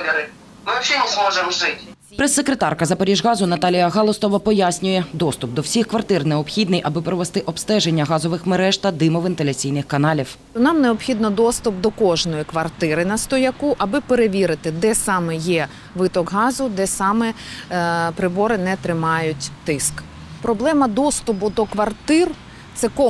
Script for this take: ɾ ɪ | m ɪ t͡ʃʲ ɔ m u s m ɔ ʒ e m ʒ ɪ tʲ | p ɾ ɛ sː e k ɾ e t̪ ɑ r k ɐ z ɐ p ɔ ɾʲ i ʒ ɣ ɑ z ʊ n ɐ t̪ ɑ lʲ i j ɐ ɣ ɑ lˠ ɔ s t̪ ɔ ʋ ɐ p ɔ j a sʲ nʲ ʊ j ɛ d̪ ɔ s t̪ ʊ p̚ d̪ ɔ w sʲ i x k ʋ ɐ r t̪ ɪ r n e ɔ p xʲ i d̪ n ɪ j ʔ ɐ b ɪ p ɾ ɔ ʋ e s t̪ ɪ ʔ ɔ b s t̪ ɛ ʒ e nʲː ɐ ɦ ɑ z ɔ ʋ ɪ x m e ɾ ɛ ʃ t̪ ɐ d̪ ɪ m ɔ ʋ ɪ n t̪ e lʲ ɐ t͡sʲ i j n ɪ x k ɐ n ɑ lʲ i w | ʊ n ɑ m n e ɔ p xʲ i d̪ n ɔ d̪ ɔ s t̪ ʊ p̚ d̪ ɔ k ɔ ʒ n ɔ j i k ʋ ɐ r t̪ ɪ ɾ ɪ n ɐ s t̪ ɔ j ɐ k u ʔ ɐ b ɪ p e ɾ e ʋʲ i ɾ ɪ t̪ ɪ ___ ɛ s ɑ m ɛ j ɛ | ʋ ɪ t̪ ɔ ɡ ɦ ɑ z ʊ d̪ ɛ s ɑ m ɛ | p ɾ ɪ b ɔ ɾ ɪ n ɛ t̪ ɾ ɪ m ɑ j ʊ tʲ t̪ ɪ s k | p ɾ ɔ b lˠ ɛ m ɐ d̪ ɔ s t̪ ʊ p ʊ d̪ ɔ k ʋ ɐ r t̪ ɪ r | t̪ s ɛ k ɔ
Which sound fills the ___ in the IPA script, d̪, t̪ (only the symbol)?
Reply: d̪